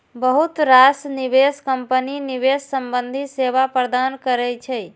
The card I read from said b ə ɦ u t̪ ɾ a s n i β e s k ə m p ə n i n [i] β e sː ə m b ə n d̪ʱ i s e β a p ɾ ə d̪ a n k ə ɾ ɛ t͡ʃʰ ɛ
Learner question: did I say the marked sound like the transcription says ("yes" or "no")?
yes